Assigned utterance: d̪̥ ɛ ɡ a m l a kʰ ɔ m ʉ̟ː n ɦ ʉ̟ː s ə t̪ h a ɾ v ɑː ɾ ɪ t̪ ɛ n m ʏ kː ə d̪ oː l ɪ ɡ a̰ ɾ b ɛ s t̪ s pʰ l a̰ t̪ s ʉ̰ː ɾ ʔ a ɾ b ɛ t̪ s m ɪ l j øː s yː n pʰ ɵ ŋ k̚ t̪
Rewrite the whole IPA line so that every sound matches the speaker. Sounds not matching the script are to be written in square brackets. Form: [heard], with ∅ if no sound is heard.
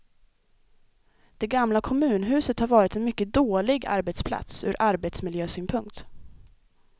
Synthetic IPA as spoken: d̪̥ ɛ ɡ a m l a kʰ ɔ m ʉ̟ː n ɦ ʉ̟ː s ə t̪ h a ɾ v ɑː ɾ ɪ t̪ ɛ n m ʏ kː ə d̪ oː l ɪ ɡ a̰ ɾ b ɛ [∅] t̪ s pʰ l a̰ t̪ s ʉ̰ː ɾ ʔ a ɾ b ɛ t̪ s m ɪ l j øː s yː n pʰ ɵ ŋ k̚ t̪